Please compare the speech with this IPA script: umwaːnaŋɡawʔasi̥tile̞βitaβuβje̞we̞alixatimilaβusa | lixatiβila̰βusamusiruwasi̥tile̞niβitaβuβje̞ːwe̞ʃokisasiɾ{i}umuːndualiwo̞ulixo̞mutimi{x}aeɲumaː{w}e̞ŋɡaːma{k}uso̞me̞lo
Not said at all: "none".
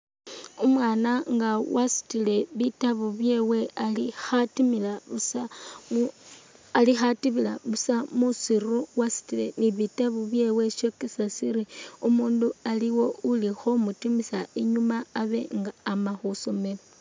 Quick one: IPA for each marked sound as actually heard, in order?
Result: i, s, β, x

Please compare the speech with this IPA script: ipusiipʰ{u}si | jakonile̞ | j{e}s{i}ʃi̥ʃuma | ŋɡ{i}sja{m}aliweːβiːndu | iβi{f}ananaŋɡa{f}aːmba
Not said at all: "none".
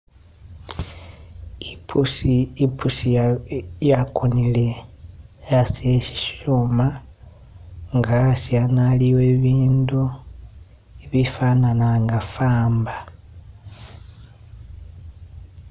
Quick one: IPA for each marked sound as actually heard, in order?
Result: u, a, e, a, n, f, f

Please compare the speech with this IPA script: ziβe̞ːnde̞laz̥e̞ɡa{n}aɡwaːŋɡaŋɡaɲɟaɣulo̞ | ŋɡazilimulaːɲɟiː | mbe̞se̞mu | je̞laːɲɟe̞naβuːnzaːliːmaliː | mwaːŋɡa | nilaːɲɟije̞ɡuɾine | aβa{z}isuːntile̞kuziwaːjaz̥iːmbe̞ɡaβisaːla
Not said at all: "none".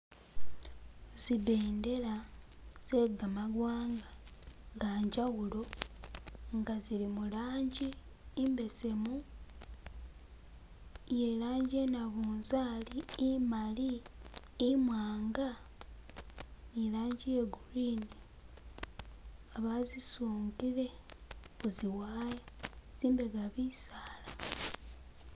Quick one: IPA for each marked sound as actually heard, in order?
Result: m, z

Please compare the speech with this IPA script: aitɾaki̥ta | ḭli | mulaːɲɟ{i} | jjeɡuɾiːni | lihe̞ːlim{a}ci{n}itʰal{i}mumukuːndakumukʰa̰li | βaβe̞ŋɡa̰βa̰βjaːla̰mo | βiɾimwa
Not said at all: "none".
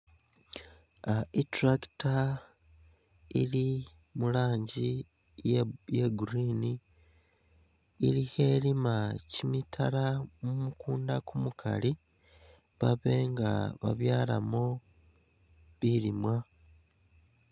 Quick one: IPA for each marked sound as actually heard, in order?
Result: i, a, m, a

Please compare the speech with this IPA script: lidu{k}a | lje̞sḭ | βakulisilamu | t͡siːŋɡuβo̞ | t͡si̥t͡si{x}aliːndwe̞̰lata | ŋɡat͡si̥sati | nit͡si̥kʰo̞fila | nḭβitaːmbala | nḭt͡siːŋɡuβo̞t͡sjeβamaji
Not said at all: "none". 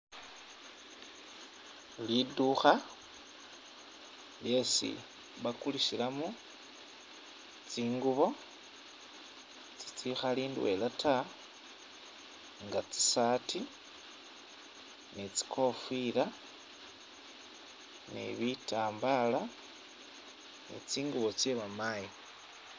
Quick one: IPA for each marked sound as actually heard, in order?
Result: x, x

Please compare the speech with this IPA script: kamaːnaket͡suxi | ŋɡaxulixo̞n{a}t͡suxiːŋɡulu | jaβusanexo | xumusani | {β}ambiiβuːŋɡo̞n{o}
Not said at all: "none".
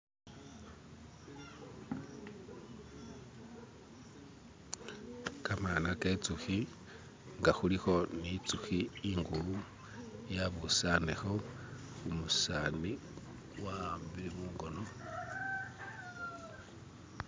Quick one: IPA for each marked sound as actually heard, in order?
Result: i, w, o

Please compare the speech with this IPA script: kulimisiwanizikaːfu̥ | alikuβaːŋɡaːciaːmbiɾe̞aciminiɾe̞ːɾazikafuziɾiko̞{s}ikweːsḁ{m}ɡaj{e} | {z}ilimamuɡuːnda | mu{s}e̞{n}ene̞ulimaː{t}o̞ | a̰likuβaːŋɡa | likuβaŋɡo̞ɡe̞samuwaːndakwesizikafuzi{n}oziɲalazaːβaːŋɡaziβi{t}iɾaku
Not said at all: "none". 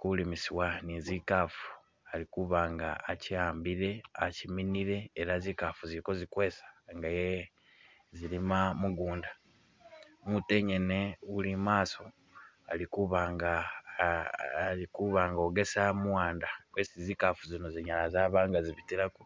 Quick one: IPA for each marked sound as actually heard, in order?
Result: z, ŋ, e, z, t, ɲ, s, n, t

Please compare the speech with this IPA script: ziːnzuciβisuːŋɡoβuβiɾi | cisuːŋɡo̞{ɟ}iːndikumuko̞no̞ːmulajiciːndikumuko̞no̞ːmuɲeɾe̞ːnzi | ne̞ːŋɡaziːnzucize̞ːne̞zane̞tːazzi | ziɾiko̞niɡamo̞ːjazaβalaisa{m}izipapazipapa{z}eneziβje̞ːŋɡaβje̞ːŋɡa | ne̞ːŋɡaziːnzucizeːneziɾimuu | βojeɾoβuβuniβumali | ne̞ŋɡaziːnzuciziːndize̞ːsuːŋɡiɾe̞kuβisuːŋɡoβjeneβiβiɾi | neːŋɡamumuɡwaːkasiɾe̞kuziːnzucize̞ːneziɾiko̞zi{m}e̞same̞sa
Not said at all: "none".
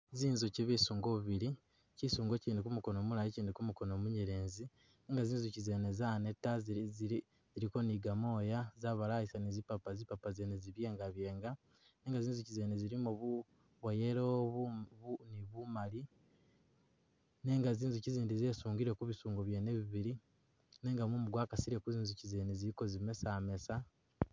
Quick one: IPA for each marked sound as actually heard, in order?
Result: c, n, z, m

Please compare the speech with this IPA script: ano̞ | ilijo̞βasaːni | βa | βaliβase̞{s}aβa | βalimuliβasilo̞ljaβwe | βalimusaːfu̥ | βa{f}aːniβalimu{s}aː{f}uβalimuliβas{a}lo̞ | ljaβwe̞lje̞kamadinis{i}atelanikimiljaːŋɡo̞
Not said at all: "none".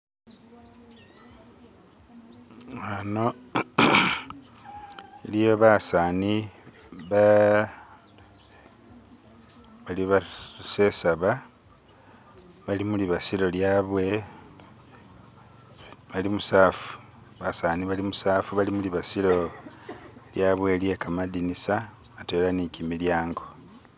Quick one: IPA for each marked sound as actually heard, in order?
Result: s, s, s, f, i, a

